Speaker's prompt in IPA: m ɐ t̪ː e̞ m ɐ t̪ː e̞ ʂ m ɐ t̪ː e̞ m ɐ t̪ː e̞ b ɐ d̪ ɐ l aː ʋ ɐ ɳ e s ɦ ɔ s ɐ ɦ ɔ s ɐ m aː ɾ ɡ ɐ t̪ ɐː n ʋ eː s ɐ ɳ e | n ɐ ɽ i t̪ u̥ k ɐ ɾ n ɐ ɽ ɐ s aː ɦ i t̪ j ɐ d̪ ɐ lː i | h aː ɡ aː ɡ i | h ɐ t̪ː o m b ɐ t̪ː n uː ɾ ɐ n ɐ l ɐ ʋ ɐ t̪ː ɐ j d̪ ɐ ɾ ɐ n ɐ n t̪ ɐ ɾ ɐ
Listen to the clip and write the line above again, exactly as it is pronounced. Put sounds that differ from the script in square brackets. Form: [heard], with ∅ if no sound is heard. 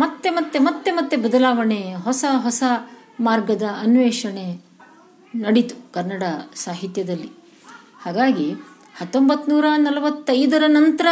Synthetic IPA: m ɐ t̪ː e̞ m ɐ t̪ː e̞ [∅] m ɐ t̪ː e̞ m ɐ t̪ː e̞ b ɐ d̪ ɐ l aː ʋ ɐ ɳ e [∅] ɦ ɔ s ɐ ɦ ɔ s ɐ m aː ɾ ɡ ɐ [d̪] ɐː n ʋ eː [ʂ] ɐ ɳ e | n ɐ ɽ i t̪ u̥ k ɐ ɾ n ɐ ɽ ɐ s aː ɦ i t̪ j ɐ d̪ ɐ lː i | h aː ɡ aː ɡ i | h ɐ t̪ː o m b ɐ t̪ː n uː ɾ ɐ n ɐ l ɐ ʋ ɐ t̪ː ɐ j d̪ ɐ ɾ ɐ n ɐ n t̪ ɐ ɾ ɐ